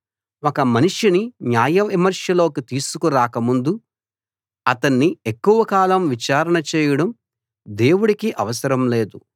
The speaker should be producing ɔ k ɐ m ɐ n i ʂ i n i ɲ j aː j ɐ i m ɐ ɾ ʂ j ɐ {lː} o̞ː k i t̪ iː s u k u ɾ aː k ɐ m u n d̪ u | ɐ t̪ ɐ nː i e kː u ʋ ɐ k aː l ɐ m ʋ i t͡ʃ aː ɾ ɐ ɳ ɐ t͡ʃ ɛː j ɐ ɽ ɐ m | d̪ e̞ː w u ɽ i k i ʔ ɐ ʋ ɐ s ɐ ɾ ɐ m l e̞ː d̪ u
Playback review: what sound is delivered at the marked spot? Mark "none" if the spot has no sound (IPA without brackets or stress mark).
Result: l